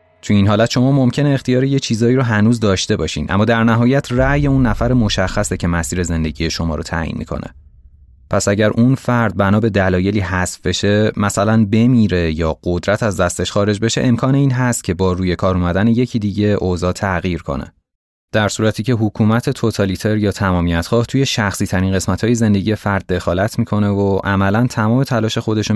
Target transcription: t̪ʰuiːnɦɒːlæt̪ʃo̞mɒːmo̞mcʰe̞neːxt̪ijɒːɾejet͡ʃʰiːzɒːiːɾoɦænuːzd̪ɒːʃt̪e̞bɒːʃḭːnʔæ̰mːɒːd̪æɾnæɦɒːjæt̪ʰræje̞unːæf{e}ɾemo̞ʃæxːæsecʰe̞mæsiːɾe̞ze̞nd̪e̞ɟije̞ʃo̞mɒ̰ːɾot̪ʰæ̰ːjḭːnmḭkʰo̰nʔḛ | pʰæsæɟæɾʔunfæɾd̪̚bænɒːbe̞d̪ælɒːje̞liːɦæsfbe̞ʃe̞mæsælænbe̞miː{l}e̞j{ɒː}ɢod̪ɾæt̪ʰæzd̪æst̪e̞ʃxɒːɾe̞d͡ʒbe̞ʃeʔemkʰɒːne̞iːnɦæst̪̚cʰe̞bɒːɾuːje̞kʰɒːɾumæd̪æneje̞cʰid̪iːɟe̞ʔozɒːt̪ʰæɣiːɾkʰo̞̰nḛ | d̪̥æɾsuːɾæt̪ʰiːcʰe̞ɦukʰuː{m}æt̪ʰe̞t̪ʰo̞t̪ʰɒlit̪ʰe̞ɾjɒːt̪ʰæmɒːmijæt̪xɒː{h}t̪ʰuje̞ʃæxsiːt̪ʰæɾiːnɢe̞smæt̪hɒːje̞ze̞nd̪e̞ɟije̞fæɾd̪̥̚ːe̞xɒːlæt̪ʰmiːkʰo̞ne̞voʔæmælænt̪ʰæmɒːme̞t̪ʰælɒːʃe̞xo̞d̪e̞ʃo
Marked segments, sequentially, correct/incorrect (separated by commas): incorrect, incorrect, correct, correct, correct